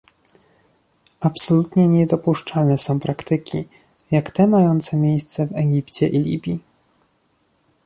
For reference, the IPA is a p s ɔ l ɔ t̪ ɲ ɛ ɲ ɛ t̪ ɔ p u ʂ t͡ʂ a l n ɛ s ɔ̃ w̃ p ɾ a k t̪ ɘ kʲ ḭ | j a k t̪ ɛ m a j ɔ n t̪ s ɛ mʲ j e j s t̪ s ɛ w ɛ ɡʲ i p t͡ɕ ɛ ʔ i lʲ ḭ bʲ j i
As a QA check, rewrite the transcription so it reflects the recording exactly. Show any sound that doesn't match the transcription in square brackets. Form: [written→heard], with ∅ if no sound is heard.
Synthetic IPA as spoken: a p s ɔ l [ɔ→u] t̪ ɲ ɛ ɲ ɛ [t̪→d̪] ɔ p u ʂ t͡ʂ a l n ɛ s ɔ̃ w̃ p ɾ a k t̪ ɘ kʲ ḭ | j a k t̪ ɛ m a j ɔ n t̪ s ɛ mʲ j e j s t̪ s ɛ [w→v] ɛ ɡʲ i p t͡ɕ ɛ ʔ i lʲ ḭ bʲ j i